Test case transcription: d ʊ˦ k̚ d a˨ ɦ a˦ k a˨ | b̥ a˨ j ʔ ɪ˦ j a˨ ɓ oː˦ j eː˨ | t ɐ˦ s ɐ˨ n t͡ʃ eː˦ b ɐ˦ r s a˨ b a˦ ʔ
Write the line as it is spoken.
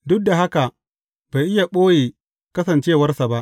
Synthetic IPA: d ʊ˦ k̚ d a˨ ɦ a˦ k a˨ | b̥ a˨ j ʔ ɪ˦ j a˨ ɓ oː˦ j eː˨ | k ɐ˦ s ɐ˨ n t͡ʃ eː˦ w ɐ˦ r s a˨ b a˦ ʔ